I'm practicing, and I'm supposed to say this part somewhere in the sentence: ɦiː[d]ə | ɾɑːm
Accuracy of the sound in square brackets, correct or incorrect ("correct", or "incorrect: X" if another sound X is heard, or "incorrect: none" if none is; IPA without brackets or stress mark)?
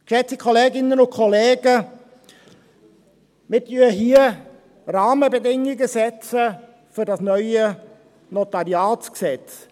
incorrect: none